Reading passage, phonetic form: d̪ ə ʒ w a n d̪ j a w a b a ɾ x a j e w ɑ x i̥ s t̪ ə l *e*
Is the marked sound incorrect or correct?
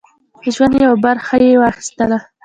incorrect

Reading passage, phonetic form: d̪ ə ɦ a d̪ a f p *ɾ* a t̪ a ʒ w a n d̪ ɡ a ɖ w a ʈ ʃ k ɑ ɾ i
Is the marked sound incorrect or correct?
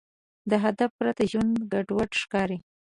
correct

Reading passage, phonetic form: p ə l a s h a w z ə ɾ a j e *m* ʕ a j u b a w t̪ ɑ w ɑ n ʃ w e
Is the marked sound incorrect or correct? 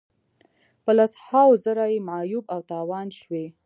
correct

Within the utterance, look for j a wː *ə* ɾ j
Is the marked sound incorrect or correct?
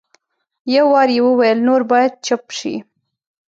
incorrect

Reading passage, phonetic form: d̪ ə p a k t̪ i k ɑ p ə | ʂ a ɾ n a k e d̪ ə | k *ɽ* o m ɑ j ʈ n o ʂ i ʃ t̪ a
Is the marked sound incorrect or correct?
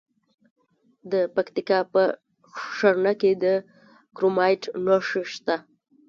incorrect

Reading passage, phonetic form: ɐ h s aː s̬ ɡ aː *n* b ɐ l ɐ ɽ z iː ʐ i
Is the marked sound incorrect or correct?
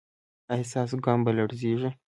incorrect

